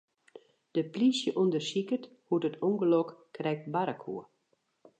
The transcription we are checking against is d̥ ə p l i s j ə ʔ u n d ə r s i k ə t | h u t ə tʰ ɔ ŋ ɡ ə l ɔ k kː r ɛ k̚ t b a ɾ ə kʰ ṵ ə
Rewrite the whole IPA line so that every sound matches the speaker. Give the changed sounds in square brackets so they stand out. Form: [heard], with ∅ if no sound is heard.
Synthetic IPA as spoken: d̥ ə p l i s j ə ʔ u n d ə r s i k ə t | h u t ə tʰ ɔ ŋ ɡ ə l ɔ k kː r ɛ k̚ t b a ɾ ə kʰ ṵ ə